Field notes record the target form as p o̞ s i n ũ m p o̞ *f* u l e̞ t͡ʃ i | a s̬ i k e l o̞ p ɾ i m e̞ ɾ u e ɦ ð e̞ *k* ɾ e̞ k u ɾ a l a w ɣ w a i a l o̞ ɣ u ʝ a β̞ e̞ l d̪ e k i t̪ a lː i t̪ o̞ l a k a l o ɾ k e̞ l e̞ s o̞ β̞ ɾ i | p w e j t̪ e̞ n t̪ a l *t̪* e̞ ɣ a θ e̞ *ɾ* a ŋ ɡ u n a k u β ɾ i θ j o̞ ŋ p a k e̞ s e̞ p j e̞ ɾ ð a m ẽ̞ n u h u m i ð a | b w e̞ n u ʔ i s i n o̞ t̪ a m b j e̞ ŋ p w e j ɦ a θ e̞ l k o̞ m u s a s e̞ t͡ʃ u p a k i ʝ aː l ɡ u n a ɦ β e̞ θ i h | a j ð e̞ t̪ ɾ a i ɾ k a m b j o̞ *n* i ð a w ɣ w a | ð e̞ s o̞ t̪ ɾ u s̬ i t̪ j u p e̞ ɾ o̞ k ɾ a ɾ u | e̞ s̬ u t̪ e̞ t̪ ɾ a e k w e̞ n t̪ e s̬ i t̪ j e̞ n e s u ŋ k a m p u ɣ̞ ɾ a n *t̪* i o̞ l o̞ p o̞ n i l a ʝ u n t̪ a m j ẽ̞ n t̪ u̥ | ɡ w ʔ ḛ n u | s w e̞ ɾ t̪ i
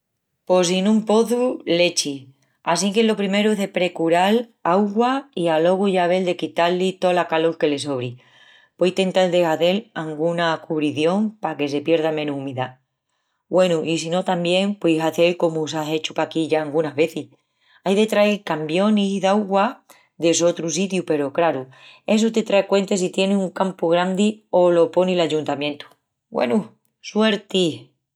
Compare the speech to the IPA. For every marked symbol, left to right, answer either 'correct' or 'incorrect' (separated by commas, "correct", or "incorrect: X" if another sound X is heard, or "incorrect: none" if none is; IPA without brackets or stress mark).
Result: incorrect: θ, incorrect: p, incorrect: d̪, incorrect: l, correct, incorrect: d̪